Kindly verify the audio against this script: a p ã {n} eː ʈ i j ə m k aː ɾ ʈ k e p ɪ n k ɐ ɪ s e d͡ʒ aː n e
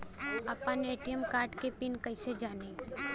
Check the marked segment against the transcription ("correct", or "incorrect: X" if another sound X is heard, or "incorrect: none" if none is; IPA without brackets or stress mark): correct